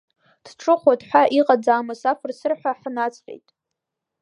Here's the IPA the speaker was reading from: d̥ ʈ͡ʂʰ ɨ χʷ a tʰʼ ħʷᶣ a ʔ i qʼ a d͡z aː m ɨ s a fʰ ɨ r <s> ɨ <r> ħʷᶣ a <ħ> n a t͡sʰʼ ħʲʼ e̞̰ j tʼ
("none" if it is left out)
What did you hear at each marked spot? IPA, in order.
s, r, ħ

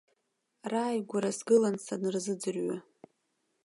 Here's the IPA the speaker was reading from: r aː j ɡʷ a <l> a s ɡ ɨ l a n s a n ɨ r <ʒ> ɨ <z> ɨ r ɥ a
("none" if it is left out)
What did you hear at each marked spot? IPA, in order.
ɾ, z, d͡z

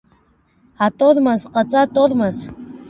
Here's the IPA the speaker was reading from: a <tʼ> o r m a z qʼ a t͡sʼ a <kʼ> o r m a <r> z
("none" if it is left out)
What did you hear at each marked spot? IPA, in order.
tʼ, tʼ, none

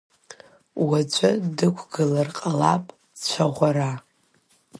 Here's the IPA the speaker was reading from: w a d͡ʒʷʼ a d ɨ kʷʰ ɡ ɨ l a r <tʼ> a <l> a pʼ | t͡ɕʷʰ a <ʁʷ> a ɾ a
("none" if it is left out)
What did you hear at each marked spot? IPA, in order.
qʼ, l, ʁʷ

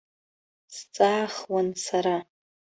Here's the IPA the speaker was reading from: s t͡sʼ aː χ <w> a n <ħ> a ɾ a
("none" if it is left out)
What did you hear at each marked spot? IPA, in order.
w, s

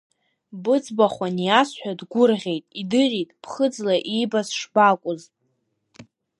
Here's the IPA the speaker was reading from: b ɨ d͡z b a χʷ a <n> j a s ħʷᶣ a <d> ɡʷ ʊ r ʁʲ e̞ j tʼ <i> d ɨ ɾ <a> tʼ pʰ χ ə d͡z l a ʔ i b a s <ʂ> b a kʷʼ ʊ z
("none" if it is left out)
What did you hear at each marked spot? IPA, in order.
n, d, i, i, ʂ

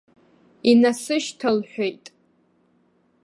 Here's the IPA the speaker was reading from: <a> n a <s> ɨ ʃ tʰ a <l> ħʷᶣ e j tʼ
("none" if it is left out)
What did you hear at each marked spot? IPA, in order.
i, s, l

